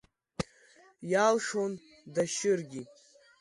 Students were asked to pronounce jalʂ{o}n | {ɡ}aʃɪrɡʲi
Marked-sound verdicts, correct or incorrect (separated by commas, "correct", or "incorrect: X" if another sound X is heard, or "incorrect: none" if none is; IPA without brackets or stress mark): correct, incorrect: d